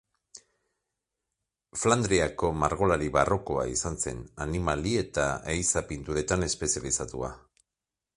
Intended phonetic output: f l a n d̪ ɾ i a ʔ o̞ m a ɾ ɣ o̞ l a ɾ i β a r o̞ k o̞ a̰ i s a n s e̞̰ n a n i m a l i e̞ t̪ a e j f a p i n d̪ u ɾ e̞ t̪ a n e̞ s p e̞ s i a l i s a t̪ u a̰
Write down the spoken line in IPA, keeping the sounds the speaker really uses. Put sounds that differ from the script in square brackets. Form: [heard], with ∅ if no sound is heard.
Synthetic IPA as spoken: f l a n d̪ ɾ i a [k] o̞ m a ɾ ɣ o̞ l a ɾ i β a r o̞ k o̞ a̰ i s a n s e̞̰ n a n i m a l i e̞ t̪ a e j [s] a p i n [t̪] u ɾ e̞ t̪ a n e̞ s p e̞ s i a l i s a t̪ u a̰